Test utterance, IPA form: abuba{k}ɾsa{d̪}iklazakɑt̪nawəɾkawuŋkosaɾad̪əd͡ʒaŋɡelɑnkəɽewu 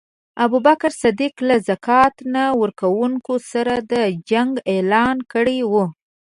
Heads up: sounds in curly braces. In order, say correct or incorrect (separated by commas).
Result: correct, correct